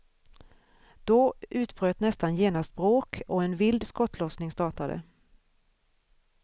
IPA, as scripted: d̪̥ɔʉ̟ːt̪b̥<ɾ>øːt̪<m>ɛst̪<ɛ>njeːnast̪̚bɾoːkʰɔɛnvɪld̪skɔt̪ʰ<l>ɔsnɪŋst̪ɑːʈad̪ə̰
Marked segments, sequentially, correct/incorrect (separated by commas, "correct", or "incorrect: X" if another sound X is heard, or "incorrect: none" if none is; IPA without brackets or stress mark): correct, incorrect: n, incorrect: a, correct